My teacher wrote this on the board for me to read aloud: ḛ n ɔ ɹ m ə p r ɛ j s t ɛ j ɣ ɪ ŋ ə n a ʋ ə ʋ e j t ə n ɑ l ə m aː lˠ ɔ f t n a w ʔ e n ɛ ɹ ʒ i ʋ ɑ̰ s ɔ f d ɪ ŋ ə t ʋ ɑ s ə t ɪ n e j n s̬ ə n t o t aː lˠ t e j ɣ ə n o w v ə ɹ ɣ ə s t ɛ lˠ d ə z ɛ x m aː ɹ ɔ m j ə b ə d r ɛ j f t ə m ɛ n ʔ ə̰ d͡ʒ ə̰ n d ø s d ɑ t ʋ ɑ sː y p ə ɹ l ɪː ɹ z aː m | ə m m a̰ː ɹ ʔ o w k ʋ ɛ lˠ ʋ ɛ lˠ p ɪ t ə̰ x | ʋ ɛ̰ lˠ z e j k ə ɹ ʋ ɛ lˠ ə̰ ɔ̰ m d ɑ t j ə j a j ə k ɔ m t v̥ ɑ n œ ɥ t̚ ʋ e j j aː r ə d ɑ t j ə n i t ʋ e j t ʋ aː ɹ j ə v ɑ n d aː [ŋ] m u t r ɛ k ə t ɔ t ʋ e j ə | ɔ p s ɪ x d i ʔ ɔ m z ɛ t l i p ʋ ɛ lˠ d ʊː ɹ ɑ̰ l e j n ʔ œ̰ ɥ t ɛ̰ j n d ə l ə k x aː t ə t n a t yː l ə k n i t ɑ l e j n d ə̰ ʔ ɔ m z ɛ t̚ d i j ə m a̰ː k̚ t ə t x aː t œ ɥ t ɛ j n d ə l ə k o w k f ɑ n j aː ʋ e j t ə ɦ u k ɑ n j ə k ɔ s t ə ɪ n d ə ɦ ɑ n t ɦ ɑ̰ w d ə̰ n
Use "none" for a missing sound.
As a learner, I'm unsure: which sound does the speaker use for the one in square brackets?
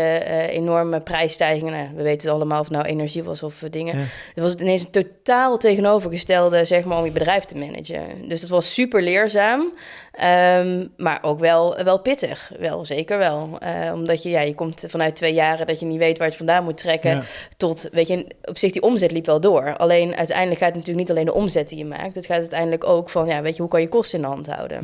n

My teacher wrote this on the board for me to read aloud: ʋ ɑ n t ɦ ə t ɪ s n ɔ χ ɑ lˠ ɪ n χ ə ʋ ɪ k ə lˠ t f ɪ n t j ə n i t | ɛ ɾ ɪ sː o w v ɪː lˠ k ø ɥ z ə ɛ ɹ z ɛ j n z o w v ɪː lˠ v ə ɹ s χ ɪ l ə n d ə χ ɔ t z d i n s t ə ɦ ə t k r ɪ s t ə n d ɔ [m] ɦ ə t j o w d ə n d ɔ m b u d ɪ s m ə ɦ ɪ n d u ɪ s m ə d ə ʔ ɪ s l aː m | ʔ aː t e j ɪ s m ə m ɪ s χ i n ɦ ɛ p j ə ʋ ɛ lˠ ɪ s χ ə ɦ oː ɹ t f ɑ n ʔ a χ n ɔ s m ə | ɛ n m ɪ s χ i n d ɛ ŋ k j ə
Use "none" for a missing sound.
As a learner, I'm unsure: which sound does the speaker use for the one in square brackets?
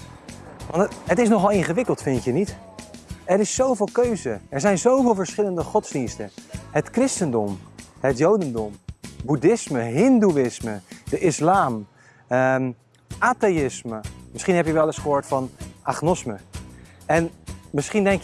m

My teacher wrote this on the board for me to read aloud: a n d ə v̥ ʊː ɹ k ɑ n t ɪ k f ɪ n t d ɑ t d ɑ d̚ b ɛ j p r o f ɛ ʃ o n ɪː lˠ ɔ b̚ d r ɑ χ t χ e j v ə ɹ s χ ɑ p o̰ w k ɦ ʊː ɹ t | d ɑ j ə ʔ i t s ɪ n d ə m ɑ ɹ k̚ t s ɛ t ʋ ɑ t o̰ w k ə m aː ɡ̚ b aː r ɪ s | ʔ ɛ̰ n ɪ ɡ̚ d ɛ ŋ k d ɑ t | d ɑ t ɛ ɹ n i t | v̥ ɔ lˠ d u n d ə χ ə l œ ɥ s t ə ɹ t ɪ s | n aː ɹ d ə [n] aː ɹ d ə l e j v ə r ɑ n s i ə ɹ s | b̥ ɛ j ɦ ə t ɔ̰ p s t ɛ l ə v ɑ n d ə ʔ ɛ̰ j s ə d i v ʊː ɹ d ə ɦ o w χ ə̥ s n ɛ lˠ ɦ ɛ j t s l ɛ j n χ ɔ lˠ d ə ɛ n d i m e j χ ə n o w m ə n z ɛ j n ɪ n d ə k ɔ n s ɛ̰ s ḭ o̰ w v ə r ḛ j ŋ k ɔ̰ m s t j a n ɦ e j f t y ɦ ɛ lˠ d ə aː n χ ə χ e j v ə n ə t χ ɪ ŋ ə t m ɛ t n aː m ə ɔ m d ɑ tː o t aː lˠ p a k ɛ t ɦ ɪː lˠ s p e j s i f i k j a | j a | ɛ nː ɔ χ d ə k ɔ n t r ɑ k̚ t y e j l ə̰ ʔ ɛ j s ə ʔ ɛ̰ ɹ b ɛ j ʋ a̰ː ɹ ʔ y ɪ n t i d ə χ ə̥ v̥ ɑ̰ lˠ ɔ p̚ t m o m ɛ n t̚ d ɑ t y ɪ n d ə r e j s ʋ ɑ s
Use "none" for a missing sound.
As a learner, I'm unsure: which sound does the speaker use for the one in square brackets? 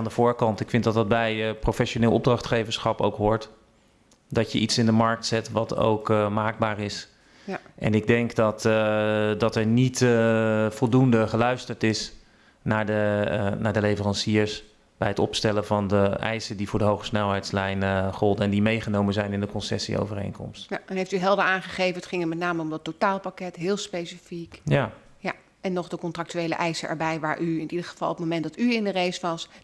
n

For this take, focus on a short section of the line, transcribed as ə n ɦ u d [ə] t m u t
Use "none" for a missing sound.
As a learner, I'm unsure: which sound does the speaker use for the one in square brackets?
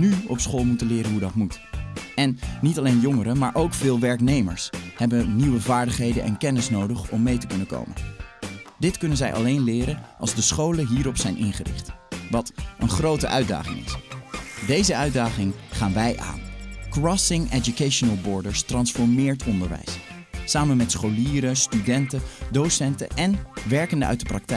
ɑ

